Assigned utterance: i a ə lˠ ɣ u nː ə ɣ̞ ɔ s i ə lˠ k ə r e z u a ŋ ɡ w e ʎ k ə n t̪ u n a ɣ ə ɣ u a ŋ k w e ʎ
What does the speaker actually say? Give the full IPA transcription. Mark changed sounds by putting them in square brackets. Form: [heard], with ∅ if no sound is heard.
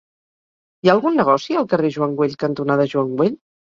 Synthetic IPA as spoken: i a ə lˠ ɣ u nː ə ɣ̞ ɔ s i ə lˠ k ə r e [ʒ] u a ŋ ɡ w e ʎ k ə n t̪ u n a [ð] ə [ʒ] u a ŋ [ɡ] w e ʎ